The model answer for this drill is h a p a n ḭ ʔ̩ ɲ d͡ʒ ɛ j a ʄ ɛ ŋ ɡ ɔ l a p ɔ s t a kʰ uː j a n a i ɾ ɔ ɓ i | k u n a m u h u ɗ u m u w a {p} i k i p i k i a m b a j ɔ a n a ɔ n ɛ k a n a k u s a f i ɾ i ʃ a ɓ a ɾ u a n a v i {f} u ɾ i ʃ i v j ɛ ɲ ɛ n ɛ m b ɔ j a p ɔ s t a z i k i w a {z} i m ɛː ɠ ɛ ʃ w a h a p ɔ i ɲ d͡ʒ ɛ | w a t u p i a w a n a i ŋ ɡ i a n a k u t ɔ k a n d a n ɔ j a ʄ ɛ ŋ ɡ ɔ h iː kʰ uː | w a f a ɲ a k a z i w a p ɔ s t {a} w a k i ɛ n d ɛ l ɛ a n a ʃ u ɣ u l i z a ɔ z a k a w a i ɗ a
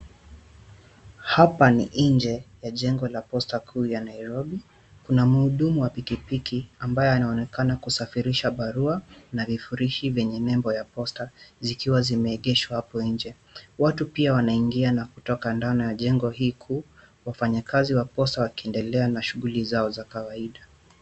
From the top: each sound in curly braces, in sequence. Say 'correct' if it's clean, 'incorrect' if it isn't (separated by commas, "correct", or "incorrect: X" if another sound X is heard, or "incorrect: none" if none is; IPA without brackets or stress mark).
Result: correct, correct, correct, correct